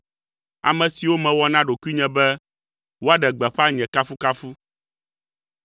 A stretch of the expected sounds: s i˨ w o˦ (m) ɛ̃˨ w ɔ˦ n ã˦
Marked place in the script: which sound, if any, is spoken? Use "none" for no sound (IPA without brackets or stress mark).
m